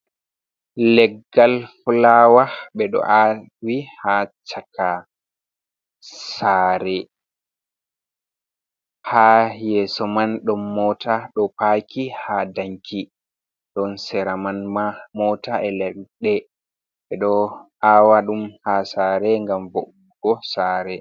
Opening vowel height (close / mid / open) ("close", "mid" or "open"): mid